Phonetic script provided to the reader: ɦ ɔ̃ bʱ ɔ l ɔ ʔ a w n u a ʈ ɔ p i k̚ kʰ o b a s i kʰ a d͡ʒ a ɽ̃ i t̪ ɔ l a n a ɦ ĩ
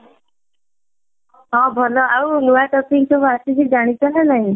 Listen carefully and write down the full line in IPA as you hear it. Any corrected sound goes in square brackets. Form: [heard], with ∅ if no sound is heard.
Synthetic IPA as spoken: ɦ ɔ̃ bʱ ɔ l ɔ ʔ a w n u a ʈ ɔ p i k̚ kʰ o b a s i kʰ [i] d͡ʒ a ɽ̃ i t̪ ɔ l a n a ɦ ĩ